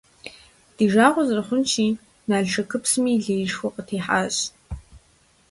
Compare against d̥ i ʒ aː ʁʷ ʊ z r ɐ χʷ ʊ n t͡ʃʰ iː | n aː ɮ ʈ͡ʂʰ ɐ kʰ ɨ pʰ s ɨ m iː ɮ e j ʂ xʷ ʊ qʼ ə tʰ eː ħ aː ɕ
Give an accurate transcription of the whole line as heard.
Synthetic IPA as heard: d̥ i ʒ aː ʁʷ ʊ z r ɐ χʷ ʊ n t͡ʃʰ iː | n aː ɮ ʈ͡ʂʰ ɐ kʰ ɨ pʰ s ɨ m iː ɮ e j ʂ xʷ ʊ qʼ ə tʰ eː ħ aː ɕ